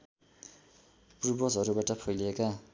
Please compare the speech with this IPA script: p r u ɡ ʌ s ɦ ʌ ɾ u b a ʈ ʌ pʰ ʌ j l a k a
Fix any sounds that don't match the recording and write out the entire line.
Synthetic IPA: p r u b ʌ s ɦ ʌ ɾ u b a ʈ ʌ pʰ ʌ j l e k a